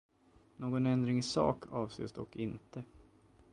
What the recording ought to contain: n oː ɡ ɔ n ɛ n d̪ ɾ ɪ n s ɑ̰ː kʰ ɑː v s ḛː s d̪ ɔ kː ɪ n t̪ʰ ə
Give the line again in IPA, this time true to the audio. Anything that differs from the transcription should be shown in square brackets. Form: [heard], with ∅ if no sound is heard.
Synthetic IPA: n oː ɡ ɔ n ɛ n d̪ ɾ ɪ [ŋ] s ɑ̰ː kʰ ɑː v s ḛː s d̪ ɔ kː ɪ n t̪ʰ ə